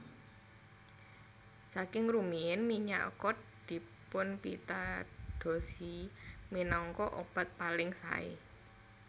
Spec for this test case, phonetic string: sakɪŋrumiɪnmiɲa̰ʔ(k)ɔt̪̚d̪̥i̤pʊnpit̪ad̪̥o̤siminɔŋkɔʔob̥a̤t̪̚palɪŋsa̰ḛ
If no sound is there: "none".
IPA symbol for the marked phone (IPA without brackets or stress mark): k